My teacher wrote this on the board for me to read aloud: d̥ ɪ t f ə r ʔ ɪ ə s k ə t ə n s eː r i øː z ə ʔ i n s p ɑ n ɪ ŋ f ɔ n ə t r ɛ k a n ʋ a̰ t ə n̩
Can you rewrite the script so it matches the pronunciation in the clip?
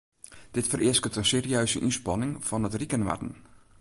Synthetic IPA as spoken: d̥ ɪ t f ə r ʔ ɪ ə s k ə t ə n s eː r i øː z ə ʔ i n s p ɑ n ɪ ŋ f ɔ n ə t r i k ə n ʋ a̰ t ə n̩